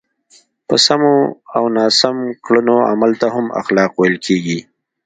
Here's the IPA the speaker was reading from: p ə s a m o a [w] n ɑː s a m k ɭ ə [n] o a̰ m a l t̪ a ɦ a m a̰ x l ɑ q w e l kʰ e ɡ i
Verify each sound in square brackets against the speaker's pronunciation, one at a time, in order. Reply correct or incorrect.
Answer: correct, correct

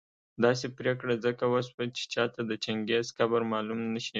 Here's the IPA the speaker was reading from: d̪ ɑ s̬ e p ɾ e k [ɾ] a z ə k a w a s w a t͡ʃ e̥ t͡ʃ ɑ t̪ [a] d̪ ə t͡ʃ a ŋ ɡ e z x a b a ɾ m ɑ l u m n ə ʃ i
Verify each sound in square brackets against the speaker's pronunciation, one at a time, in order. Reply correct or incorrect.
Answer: incorrect: ɽ, correct

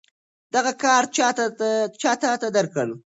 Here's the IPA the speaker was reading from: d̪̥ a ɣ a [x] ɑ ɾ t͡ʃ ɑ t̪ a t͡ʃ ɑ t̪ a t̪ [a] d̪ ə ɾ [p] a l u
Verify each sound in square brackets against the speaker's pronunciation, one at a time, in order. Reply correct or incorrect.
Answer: incorrect: k, correct, incorrect: k

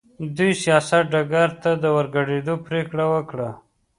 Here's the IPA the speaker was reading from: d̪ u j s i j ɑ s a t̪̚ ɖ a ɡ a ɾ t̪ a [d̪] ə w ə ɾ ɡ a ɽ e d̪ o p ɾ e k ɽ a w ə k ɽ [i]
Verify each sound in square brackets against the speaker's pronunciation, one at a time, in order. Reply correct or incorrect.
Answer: correct, incorrect: a

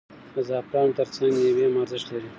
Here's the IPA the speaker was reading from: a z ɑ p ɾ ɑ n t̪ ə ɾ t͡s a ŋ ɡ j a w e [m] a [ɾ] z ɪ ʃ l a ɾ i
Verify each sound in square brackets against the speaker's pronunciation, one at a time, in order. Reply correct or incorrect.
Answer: correct, correct

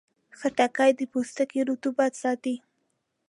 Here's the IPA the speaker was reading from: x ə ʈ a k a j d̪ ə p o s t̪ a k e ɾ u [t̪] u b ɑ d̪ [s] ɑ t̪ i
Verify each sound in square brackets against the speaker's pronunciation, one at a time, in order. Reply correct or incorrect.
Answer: correct, correct

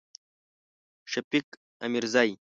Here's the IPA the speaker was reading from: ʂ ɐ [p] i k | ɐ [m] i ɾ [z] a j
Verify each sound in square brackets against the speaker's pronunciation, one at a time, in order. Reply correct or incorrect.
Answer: correct, correct, correct

